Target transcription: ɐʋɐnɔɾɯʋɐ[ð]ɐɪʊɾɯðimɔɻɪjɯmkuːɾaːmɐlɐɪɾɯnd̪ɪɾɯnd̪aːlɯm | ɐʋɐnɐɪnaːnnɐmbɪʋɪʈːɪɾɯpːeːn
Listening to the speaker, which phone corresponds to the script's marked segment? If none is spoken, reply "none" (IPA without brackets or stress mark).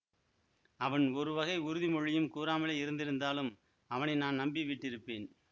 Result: ɣ